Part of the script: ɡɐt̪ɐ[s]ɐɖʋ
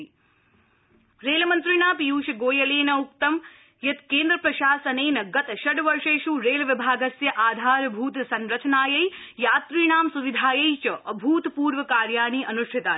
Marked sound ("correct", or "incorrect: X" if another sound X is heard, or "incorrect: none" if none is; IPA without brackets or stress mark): incorrect: ʃ